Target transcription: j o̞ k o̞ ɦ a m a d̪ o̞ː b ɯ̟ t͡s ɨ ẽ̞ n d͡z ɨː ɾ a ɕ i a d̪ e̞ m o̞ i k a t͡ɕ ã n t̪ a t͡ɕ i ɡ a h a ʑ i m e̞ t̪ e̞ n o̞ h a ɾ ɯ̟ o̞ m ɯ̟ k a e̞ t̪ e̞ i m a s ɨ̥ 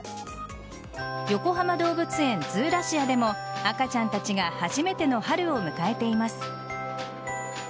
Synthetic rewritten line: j o̞ k o̞ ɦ a m a d̪ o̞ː b ɯ̟ t͡s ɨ ẽ̞ n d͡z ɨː ɾ a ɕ i a d̪ e̞ m o̞ a k a t͡ɕ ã n t̪ a t͡ɕ i ɡ a h a ʑ i m e̞ t̪ e̞ n o̞ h a ɾ ɯ̟ o̞ m ɯ̟ k a e̞ t̪ e̞ i m a s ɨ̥

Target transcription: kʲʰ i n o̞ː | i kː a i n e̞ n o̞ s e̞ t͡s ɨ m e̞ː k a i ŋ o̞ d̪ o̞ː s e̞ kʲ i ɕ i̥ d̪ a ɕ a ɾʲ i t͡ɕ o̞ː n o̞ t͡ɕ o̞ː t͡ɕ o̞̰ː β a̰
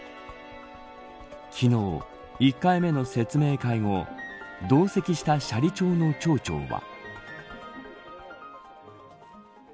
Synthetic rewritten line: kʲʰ i n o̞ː | i kː a i m e̞ n o̞ s e̞ t͡s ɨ m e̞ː k a i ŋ o̞ d̪ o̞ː s e̞ kʲ i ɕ i̥ t̪ a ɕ a ɾʲ i t͡ɕ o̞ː n o̞ t͡ɕ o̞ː t͡ɕ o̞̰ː β a̰

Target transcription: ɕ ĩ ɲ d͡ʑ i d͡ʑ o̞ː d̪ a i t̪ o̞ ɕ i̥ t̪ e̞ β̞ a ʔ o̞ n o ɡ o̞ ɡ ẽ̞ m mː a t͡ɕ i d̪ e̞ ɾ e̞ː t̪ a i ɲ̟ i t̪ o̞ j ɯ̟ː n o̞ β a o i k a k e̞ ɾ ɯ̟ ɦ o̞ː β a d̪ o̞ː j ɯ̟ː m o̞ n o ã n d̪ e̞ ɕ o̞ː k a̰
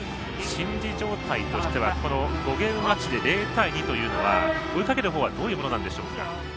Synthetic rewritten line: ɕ ĩ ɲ d͡ʑ i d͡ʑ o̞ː t̪ a i t̪ o̞ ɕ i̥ t̪ e̞ β̞ a k o̞ n o ɡ o̞ ɡ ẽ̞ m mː a t͡ɕ i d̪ e̞ ɾ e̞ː t̪ a i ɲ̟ i t̪ o̞ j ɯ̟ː n o̞ β a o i k a k e̞ ɾ ɯ̟ ɦ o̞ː β a d̪ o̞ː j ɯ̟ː m o̞ n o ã n d̪ e̞ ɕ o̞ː k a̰

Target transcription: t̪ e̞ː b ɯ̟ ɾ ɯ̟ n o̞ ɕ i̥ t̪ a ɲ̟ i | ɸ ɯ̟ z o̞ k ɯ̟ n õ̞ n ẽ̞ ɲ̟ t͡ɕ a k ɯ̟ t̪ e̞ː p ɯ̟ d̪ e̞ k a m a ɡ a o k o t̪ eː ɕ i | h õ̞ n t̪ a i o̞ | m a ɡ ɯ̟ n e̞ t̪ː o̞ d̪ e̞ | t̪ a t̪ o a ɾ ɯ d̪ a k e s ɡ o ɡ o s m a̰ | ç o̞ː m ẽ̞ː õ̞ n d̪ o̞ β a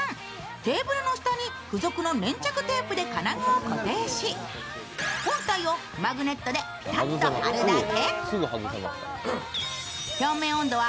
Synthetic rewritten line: t̪ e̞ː b ɯ̟ ɾ ɯ̟ n o̞ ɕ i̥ t̪ a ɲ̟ i | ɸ ɯ̟ z o̞ k ɯ̟ n o̞ n ẽ̞ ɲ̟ t͡ɕ a k ɯ̟ t̪ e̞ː p ɯ̟ d̪ e̞ k a n a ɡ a o k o t̪ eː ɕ i | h õ̞ n t̪ a i o̞ | m a ɡ ɯ̟ n e̞ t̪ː o̞ d̪ e̞ | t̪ a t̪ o a ɾ ɯ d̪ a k e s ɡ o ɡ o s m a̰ | ç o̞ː m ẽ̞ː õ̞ n d̪ o̞ β a

